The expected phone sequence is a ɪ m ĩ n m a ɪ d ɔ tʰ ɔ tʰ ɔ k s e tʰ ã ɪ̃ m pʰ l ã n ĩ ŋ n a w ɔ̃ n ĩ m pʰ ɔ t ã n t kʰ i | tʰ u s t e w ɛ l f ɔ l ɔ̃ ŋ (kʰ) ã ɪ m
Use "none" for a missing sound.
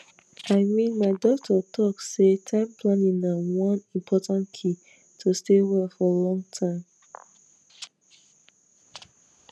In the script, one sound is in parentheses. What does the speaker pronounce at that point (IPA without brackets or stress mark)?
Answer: tʰ